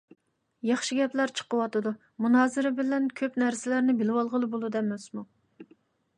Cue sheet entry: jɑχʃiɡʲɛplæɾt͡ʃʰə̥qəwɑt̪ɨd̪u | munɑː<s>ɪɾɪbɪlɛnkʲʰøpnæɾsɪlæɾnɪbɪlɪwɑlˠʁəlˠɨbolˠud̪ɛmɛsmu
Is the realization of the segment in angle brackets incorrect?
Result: yes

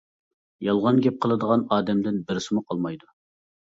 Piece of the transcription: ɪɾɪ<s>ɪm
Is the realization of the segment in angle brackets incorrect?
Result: no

